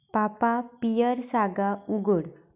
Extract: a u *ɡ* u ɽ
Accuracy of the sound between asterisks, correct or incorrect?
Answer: correct